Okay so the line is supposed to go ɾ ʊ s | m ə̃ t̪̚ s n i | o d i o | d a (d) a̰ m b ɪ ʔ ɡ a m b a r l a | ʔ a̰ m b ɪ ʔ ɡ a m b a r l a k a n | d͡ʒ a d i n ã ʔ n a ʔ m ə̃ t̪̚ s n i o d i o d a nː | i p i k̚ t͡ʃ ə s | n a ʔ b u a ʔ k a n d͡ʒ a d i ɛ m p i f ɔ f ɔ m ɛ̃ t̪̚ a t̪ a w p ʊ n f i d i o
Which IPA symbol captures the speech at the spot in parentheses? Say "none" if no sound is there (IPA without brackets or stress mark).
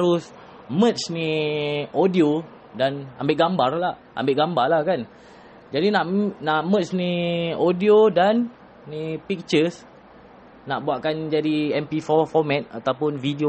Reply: n